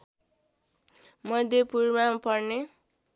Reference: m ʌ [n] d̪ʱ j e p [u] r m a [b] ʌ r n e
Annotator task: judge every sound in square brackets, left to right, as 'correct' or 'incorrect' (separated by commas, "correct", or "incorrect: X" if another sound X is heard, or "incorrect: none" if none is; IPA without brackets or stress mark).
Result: incorrect: none, correct, incorrect: p